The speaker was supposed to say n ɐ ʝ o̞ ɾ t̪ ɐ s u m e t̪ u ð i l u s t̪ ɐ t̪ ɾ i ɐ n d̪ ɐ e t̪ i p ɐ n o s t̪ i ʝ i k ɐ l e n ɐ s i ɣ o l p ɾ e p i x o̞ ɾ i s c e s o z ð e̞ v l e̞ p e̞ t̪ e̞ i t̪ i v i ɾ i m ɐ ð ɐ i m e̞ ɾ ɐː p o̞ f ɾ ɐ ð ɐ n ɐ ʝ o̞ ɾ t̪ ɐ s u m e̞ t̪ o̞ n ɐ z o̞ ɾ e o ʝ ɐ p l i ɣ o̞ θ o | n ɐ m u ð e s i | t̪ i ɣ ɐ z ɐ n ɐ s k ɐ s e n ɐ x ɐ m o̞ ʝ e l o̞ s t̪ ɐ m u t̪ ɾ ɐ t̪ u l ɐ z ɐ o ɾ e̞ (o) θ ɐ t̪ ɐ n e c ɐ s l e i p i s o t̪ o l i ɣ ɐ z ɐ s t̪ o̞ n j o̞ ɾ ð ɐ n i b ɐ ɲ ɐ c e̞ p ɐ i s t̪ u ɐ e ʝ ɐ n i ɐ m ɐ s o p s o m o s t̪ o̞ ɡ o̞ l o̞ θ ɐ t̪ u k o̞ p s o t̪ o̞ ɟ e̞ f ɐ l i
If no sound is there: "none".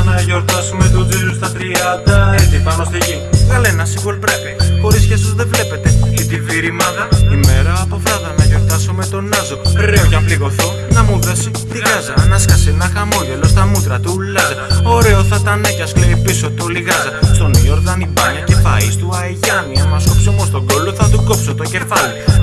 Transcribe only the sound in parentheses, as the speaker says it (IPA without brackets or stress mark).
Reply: o